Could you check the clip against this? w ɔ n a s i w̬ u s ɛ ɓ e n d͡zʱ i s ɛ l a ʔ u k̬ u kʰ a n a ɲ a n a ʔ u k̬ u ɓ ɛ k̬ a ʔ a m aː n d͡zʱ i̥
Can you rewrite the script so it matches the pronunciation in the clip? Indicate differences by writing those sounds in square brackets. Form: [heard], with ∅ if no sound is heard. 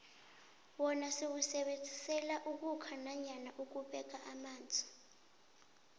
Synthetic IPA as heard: w ɔ n a s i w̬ u s ɛ ɓ e n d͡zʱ i s ɛ l a ʔ u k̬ u kʰ a n a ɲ a n a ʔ u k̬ u ɓ ɛ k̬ a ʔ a m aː n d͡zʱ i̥